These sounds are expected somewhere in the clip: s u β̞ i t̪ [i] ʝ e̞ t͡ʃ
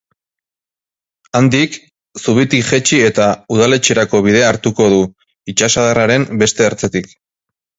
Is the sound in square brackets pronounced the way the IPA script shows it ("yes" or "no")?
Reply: yes